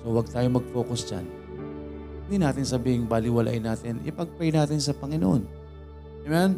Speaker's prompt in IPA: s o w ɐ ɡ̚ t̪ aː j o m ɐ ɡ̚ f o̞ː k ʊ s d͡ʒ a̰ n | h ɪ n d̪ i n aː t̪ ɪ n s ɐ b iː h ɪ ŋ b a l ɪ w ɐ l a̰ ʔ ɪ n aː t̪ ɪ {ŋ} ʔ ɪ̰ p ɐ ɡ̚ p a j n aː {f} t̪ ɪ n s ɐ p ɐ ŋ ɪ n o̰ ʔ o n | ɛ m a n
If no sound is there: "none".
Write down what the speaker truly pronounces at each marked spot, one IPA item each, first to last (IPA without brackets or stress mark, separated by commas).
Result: n, none